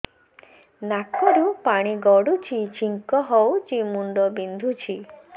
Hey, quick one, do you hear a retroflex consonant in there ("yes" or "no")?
yes